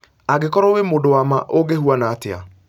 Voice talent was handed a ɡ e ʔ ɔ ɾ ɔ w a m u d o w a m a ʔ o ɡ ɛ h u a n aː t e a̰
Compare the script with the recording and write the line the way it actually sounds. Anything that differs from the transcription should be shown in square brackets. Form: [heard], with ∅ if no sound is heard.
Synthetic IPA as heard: a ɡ e [k] ɔ ɾ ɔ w [e] m [o] d o w a m a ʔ o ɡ [e] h u a n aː t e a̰